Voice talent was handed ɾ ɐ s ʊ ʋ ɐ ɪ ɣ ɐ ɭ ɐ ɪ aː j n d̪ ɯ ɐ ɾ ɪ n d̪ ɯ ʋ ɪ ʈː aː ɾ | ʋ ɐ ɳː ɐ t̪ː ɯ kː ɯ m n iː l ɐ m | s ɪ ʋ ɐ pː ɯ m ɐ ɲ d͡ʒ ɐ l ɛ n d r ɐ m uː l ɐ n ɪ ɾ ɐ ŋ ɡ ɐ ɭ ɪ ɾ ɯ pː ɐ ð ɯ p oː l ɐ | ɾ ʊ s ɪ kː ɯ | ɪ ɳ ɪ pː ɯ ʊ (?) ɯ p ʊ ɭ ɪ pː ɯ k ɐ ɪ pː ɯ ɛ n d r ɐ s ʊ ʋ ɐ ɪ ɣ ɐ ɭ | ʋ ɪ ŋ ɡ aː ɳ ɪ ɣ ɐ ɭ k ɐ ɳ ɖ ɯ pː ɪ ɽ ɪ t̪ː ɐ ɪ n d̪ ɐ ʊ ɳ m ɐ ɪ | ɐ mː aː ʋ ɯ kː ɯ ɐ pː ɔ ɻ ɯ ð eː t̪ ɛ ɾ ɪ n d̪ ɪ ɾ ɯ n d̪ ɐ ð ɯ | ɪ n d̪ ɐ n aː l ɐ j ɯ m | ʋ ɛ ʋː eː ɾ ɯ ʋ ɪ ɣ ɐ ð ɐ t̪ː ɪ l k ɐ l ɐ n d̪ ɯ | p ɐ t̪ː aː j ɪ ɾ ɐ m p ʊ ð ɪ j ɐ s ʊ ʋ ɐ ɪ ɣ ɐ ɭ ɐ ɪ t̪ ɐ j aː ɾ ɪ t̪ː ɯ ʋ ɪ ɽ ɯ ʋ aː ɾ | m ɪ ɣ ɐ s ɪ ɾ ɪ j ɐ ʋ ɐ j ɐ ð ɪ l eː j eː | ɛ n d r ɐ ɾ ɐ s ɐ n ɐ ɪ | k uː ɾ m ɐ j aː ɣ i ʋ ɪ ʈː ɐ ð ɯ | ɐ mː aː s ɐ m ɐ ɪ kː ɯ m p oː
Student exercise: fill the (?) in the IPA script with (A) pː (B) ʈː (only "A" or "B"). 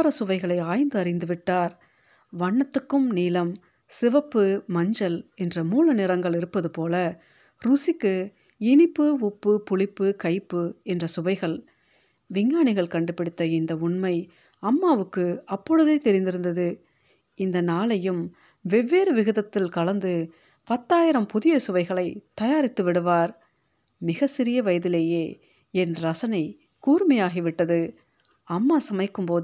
A